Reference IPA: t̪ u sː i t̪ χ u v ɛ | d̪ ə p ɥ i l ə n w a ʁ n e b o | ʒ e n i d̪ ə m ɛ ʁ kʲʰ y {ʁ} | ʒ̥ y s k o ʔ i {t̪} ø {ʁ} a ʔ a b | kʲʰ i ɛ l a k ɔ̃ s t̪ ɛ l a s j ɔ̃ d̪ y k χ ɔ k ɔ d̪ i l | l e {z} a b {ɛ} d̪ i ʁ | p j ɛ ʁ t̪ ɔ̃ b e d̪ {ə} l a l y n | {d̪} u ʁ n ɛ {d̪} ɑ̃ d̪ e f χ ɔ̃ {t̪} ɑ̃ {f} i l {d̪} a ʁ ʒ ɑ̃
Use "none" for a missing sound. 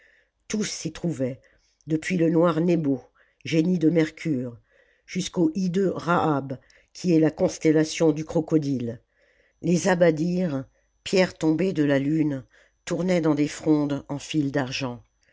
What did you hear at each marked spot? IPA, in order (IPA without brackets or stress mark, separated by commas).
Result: ʁ, d̪, ʁ, z, a, ə, t̪, d̪, d̪, f, d̪